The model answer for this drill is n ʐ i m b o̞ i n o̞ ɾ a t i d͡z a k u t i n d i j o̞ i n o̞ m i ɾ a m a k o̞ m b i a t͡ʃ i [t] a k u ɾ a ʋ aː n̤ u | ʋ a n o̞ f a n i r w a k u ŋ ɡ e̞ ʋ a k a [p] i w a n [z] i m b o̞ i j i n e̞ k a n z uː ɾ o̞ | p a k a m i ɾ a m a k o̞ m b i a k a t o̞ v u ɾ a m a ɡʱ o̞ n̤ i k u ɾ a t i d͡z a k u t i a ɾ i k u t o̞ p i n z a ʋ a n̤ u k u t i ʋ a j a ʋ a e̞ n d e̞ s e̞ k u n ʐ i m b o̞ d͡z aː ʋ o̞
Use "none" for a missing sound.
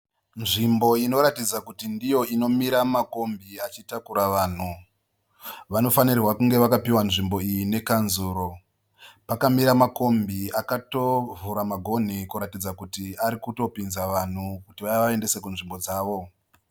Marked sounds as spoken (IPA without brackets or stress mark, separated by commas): t, p, ʐ